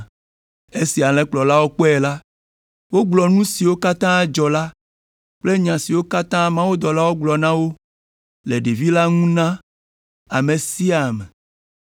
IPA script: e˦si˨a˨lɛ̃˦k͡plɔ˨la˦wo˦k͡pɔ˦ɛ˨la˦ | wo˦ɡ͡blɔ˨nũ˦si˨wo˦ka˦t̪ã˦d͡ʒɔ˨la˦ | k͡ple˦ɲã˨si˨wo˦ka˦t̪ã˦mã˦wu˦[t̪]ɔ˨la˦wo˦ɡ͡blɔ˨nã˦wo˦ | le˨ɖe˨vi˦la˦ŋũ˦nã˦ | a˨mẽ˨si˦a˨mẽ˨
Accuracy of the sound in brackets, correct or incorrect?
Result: incorrect